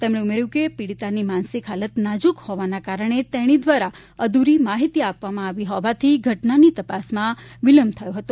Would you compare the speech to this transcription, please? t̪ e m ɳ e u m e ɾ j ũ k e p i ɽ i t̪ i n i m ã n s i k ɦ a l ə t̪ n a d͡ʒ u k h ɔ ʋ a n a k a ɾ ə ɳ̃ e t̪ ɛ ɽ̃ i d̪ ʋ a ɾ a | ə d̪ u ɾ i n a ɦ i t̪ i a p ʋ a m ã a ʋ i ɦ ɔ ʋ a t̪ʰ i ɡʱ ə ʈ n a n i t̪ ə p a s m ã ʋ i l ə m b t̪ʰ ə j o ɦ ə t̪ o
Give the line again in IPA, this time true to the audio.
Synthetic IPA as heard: t̪ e m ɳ e u m e ɾ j ũ k e p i ɽ i t̪ a n i m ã n s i k ɦ a l ə t̪ n a d͡ʒ u k h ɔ ʋ a n a k a ɾ ə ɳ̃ e t̪ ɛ ɽ̃ i d̪ ʋ a ɾ a | ə d̪ u ɾ i m a ɦ i t̪ i a p ʋ a m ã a ʋ i ɦ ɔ ʋ a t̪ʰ i ɡʱ ə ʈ n a n i t̪ ə p a s m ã ʋ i l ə m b t̪ʰ ə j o ɦ ə t̪ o